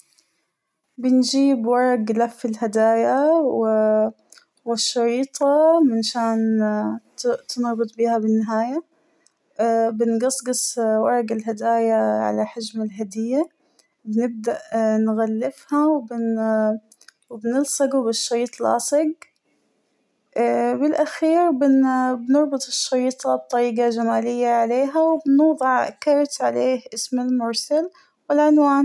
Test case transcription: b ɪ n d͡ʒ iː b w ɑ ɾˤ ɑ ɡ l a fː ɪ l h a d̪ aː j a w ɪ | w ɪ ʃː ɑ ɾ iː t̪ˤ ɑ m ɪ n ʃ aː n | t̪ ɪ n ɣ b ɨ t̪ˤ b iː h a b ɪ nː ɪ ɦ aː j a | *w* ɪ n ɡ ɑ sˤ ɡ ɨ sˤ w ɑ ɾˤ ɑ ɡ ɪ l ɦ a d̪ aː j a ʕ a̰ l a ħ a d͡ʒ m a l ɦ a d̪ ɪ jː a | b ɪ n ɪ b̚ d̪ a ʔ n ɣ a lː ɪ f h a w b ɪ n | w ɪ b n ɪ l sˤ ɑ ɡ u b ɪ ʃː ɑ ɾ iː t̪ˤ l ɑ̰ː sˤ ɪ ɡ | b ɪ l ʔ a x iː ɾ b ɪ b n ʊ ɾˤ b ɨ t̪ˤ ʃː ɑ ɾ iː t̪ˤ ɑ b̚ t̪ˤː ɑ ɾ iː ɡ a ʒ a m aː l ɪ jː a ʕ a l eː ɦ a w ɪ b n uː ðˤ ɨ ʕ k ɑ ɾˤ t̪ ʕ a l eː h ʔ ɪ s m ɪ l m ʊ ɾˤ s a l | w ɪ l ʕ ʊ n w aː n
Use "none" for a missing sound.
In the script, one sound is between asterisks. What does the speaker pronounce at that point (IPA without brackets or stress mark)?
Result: b